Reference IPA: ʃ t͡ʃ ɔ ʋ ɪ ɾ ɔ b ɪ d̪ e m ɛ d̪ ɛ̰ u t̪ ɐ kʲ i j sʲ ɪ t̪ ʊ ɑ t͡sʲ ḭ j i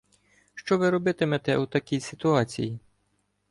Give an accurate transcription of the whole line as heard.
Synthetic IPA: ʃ t͡ʃ ɔ ʋ ɪ ɾ ɔ b ɪ t̪ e m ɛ t̪ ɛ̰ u t̪ ɐ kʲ i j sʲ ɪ t̪ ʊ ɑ t͡sʲ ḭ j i